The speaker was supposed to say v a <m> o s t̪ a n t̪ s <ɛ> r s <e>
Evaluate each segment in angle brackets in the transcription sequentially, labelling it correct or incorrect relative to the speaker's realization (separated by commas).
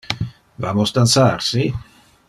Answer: correct, incorrect, incorrect